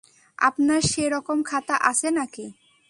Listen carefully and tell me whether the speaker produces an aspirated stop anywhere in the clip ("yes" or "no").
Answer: yes